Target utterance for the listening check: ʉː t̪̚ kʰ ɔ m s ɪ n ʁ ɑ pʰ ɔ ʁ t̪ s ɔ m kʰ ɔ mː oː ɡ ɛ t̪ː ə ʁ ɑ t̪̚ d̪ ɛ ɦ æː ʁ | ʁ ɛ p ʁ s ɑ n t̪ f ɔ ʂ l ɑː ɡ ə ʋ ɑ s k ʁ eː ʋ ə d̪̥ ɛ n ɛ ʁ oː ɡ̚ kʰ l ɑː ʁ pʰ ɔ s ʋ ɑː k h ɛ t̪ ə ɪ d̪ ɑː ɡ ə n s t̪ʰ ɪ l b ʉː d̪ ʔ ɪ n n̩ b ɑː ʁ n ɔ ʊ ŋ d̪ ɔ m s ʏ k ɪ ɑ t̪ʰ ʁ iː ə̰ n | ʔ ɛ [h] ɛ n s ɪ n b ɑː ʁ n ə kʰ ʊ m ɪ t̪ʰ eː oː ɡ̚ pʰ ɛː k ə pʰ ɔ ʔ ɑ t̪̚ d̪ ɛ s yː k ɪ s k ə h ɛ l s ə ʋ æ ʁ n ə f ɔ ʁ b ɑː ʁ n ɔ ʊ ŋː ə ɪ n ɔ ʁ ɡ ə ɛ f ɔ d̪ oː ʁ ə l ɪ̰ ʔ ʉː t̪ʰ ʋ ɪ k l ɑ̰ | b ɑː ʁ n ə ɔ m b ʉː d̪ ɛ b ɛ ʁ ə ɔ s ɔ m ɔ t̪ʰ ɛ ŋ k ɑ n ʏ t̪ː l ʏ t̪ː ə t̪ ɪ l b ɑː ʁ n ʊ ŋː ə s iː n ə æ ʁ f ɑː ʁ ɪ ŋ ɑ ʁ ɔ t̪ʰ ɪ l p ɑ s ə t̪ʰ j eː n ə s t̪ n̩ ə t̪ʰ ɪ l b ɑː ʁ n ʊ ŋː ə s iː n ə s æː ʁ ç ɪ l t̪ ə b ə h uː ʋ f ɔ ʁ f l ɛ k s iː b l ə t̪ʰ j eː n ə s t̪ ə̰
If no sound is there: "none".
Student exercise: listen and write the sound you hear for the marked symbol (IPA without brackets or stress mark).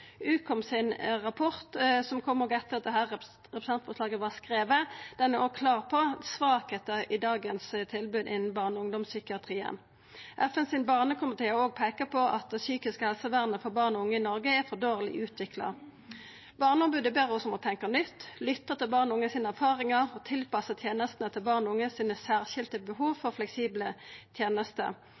f